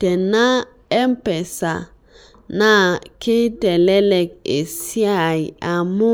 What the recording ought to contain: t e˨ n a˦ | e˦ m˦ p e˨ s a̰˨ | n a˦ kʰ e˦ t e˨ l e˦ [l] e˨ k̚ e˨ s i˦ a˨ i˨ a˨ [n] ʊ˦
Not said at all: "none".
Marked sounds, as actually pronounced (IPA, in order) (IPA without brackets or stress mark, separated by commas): l, m